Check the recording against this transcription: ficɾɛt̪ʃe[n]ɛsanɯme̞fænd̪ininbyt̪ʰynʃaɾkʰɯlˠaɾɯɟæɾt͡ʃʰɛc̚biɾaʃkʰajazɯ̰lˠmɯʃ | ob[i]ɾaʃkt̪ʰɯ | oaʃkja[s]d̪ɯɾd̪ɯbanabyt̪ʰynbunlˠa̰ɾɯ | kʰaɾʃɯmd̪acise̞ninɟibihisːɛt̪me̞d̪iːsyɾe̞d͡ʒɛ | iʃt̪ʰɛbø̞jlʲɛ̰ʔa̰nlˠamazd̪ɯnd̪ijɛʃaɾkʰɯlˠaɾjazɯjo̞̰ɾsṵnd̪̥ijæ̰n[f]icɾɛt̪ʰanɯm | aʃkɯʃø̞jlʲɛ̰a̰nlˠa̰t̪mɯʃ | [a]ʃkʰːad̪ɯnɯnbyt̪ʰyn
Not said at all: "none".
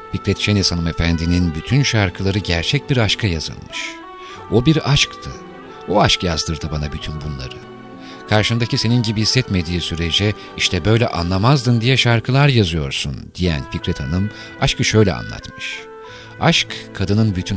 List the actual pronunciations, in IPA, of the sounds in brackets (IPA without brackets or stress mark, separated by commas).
n, i, z, f, a